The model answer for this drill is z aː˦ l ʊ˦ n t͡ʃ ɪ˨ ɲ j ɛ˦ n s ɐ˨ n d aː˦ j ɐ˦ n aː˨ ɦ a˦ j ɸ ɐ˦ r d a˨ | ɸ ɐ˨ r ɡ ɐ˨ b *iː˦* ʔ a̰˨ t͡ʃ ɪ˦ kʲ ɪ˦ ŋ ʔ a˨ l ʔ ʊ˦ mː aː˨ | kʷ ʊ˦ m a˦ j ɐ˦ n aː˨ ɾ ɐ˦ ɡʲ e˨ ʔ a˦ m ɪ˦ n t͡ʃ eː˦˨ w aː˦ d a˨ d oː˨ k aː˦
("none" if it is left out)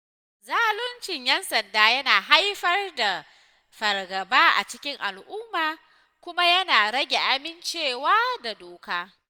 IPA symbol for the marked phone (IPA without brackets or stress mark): aː˦